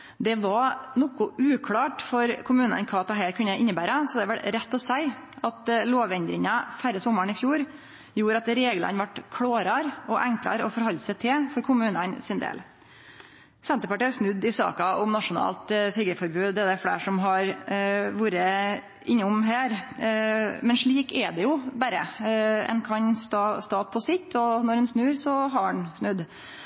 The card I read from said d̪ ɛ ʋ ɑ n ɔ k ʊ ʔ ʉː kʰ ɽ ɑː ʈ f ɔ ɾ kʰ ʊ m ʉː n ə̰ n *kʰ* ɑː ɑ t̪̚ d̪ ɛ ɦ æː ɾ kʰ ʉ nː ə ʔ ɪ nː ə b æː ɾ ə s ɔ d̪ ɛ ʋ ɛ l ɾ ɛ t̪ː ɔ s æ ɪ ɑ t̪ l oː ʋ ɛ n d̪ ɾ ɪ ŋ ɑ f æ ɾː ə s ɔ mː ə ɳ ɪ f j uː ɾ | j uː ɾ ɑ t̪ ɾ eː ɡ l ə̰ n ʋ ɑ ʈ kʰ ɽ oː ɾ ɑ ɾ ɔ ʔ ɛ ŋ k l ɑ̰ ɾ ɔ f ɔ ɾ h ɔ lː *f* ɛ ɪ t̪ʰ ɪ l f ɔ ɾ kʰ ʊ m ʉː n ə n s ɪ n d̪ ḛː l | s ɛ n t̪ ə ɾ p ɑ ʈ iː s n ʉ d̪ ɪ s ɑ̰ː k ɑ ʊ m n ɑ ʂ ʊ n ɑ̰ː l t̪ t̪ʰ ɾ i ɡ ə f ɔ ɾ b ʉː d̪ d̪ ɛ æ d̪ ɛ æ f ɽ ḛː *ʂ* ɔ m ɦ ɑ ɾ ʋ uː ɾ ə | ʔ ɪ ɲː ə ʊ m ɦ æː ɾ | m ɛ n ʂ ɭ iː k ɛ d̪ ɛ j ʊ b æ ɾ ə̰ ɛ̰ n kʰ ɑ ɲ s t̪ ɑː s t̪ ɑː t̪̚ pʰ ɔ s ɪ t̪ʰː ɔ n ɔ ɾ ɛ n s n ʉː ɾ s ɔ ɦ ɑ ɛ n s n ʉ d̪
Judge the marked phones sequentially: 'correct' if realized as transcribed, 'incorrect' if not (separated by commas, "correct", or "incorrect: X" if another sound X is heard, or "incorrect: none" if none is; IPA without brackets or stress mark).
correct, incorrect: s, correct